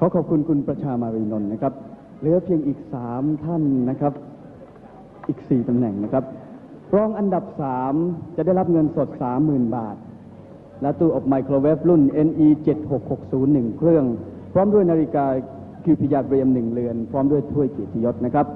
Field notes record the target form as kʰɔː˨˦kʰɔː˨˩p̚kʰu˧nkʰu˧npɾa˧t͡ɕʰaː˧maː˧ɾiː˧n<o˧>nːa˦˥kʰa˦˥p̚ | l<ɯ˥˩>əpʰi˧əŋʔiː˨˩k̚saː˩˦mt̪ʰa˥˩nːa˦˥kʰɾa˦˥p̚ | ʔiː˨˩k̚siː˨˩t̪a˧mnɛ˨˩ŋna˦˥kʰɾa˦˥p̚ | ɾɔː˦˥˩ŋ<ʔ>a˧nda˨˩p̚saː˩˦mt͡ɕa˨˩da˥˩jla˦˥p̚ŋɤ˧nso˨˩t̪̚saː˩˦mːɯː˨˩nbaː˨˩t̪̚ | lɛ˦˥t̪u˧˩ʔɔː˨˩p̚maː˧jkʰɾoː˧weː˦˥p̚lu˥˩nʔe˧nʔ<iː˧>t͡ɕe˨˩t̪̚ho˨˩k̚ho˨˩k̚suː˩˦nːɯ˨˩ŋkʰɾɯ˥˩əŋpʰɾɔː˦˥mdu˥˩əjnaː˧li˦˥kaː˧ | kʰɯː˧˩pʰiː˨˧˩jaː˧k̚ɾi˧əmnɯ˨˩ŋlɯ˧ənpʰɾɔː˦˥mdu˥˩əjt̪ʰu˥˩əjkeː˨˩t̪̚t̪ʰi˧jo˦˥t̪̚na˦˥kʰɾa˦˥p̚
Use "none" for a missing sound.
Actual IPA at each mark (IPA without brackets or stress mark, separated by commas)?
o˧, ɯ˩˦, ʔ, iː˧